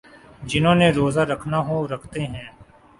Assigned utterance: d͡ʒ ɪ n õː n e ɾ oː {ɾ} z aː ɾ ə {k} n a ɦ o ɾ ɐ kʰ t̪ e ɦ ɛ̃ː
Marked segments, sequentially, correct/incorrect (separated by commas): incorrect, incorrect